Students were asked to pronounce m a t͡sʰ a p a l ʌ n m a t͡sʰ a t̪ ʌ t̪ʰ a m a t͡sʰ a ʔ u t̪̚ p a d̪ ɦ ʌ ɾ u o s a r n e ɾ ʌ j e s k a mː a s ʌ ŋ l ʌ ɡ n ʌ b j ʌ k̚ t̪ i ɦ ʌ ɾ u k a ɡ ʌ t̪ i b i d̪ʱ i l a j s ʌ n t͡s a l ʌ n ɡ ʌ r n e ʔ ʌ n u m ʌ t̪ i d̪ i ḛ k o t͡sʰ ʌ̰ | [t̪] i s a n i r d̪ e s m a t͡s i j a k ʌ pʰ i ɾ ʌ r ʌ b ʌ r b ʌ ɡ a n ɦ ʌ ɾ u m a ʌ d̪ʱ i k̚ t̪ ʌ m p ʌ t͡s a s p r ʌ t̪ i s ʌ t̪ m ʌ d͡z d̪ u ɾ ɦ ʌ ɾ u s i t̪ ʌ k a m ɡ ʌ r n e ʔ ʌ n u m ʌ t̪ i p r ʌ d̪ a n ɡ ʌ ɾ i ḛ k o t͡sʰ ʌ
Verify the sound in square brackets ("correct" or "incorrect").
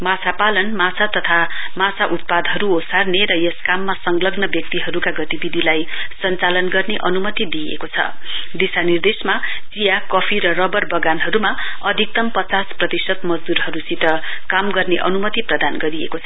incorrect